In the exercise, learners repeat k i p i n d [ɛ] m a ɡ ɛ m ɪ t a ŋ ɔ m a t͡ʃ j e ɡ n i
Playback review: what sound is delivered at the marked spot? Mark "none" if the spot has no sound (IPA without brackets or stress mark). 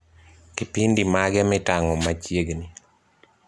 i